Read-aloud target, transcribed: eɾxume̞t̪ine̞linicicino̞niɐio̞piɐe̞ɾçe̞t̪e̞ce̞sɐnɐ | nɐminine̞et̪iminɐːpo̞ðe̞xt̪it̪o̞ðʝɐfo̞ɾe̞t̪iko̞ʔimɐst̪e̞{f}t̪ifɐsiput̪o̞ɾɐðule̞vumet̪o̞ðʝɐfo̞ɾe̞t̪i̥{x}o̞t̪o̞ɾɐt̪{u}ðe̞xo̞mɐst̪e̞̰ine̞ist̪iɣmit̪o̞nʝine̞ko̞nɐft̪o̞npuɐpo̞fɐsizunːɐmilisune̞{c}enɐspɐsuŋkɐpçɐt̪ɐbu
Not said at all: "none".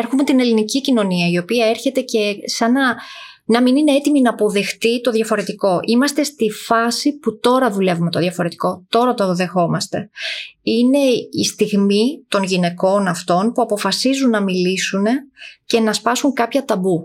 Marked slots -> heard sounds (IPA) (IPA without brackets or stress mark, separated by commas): s, k, o, c